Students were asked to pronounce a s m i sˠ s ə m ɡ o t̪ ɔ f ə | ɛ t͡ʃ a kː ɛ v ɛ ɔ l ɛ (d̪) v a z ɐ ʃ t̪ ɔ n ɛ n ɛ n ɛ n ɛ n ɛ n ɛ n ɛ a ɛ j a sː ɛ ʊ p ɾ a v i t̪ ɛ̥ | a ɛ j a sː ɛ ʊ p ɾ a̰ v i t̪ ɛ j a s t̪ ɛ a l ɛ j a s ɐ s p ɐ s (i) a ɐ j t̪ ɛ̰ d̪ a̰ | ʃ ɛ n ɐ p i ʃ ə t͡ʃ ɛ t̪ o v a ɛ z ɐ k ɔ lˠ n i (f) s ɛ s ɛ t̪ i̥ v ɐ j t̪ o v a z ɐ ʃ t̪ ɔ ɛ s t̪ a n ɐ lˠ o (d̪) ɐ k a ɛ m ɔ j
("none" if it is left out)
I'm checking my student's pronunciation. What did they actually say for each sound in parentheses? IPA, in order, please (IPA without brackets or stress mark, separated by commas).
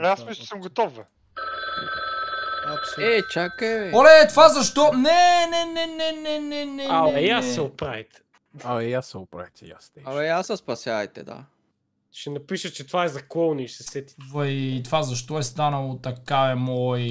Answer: t̪, j, ʃ, t̪